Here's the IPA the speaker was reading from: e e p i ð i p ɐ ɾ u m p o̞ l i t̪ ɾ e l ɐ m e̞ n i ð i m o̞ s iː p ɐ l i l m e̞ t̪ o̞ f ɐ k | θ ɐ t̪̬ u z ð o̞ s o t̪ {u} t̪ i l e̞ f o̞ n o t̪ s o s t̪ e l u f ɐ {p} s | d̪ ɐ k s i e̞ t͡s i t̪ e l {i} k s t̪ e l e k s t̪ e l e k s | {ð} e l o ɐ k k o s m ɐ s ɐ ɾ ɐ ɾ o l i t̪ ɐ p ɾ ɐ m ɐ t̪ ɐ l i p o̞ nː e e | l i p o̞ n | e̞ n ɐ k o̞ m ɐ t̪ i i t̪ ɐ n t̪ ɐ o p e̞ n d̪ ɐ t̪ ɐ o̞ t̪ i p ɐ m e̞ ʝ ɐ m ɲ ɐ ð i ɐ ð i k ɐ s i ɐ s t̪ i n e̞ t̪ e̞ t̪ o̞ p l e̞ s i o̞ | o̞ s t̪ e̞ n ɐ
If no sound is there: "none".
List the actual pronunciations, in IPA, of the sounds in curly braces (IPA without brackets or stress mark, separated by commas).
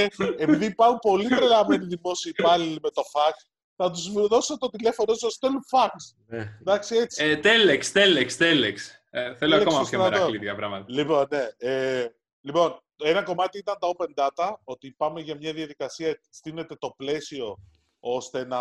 o, k, e, θ